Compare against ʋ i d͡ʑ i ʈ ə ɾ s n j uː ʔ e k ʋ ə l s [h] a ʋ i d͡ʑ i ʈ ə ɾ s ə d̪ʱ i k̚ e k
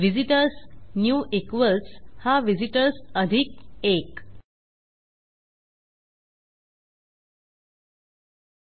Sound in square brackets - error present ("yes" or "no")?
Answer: no